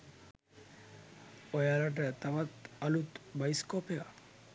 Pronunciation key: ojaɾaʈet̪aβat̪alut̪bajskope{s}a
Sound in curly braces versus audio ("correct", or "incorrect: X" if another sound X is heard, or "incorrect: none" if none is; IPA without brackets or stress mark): incorrect: none